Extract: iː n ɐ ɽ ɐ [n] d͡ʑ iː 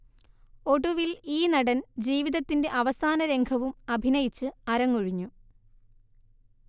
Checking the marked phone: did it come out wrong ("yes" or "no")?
no